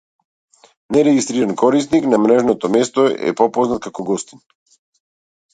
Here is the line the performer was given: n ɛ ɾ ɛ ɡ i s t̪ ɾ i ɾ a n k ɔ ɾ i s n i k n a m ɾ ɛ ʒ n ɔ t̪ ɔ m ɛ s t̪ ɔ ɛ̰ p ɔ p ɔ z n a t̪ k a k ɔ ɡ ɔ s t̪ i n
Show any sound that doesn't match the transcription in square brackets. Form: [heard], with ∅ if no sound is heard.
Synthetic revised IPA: n ɛ ɾ ɛ ɡ i s t̪ ɾ i ɾ a n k ɔ ɾ i s n i k n a m ɾ ɛ ʒ n ɔ t̪ ɔ m ɛ s t̪ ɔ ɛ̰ p ɔ p ɔ z n a t̪ k a k ɔ ɡ ɔ s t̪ i n